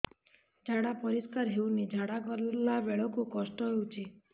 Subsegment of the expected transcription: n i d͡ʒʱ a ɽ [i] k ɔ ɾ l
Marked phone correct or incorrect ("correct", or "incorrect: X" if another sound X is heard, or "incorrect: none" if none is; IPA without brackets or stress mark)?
incorrect: a